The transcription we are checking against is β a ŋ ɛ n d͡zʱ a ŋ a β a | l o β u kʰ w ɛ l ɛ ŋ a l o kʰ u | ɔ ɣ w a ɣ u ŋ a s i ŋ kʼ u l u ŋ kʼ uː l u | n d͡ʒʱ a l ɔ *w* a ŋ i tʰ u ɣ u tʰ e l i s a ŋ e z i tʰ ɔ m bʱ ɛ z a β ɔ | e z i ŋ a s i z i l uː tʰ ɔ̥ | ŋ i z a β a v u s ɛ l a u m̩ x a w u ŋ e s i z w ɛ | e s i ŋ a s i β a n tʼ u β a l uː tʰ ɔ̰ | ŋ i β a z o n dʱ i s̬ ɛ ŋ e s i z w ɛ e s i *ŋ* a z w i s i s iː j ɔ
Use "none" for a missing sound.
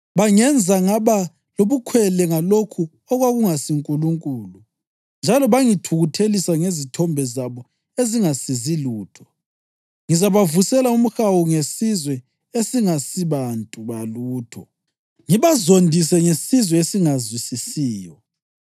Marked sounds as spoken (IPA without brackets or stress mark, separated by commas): β, ŋ